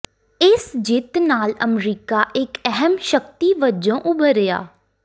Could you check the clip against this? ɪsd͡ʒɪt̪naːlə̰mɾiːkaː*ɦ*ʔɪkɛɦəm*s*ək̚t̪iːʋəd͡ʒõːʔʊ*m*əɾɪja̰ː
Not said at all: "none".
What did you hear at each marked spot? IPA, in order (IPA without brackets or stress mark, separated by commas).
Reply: none, ʃ, b